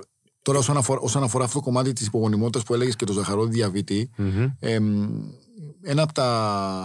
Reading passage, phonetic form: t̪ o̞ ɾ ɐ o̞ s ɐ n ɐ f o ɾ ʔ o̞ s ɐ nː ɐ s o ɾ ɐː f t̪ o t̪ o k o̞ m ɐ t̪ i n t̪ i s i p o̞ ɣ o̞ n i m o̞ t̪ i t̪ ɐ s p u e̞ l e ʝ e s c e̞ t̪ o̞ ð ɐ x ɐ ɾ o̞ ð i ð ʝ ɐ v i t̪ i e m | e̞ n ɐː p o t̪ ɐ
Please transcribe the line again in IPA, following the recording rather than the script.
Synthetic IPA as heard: t̪ o̞ ɾ ɐ o̞ s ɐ n ɐ f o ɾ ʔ o̞ s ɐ n ɐ f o ɾ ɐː f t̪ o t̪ o k o̞ m ɐ t̪ i t̪ i s i p o̞ ɣ o̞ n i m o̞ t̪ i t̪ ɐ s p u e̞ l e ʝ e s c e̞ t̪ o̞ z ɐ x ɐ ɾ o̞ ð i ð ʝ ɐ v i t̪ i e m | e̞ n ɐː p o t̪ ɐ